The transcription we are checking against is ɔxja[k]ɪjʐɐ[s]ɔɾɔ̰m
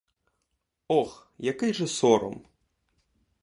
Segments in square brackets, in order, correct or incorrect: correct, correct

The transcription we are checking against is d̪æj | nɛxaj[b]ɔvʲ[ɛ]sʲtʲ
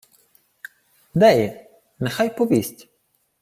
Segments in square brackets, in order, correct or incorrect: incorrect: p, incorrect: i

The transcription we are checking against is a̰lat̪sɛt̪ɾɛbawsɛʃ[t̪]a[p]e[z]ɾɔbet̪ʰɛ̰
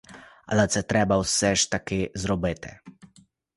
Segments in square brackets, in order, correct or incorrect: correct, incorrect: k, correct

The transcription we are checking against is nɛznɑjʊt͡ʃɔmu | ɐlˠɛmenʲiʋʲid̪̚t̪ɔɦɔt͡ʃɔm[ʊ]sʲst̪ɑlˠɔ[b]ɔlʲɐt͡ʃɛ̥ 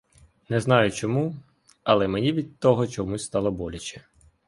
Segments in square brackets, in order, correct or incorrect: incorrect: u, correct

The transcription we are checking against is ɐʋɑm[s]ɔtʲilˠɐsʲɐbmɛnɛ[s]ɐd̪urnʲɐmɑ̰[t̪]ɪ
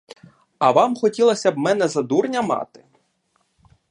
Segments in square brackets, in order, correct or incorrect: incorrect: x, incorrect: z, correct

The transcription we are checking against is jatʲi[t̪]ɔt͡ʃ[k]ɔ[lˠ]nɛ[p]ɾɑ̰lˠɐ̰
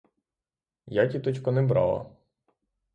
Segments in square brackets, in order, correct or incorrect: correct, correct, incorrect: none, incorrect: b

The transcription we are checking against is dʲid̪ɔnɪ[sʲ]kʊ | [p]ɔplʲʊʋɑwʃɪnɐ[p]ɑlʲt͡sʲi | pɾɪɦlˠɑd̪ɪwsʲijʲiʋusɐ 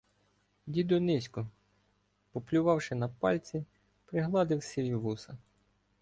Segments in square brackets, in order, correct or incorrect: correct, correct, correct

